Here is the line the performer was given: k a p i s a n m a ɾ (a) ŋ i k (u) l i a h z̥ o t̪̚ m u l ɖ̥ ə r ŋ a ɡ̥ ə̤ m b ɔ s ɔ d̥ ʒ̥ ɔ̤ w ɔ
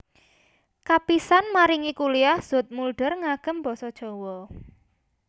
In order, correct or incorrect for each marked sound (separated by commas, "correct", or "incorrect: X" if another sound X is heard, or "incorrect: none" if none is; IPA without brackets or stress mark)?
incorrect: i, correct